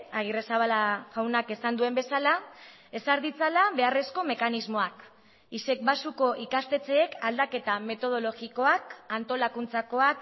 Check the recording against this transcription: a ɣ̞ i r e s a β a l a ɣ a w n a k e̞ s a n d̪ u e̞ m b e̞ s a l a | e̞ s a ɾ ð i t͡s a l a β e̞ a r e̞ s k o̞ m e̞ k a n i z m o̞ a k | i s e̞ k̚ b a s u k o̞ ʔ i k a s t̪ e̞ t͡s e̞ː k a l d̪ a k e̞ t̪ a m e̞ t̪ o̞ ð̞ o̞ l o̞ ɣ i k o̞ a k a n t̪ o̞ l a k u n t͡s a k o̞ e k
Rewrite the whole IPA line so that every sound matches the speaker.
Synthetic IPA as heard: a ɣ̞ i r e s a β a l a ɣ a w n a k e̞ s a n d̪ u e̞ m b e̞ s a l a | e̞ s a ɾ ð i t͡s a l a β e̞ a r e̞ s k o̞ m e̞ k a n i z m o̞ a k | i s e̞ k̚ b a s u k o̞ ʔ i k a s t̪ e̞ t͡s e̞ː k a l d̪ a k e̞ t̪ a m e̞ t̪ o̞ ð̞ o̞ l o̞ ɣ i k o̞ a k a n t̪ o̞ l a k u n t͡s a k o̞ a k